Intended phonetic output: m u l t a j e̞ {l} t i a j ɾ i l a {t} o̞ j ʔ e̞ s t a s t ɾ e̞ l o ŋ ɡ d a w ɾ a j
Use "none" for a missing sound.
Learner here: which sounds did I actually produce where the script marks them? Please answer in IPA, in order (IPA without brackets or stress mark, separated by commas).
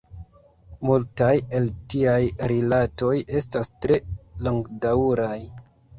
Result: l, t